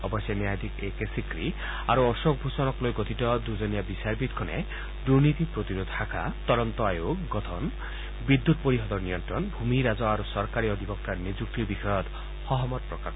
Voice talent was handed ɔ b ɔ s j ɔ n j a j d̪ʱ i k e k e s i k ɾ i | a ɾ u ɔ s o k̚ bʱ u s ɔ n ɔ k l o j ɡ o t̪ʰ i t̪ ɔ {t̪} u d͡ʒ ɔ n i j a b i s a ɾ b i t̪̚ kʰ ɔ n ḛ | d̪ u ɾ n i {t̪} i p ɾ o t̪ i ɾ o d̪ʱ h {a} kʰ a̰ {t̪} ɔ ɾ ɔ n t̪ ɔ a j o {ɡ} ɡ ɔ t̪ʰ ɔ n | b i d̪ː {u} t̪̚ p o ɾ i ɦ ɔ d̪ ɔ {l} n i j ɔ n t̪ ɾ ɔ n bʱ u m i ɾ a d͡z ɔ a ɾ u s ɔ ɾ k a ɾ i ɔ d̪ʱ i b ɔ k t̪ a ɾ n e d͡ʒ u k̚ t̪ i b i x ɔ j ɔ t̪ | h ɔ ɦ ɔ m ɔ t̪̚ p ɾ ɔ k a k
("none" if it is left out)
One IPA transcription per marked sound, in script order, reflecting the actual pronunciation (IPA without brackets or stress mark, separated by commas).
d̪, t̪, a, t̪, ɡ, u, ɾ